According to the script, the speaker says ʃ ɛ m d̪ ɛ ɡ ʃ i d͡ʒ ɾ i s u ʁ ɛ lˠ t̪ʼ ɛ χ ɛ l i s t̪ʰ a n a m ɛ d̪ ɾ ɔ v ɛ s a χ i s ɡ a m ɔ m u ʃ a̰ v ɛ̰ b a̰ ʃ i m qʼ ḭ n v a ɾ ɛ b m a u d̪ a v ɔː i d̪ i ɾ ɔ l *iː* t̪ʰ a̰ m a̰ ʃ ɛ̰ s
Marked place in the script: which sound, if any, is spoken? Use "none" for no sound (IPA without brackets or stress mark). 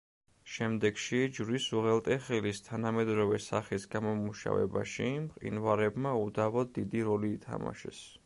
iː